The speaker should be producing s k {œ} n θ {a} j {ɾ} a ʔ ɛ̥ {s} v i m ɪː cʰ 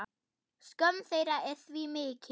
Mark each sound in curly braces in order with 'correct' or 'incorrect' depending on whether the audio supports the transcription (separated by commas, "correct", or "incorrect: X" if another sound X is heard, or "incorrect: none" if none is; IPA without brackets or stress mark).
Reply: correct, incorrect: e, correct, incorrect: θ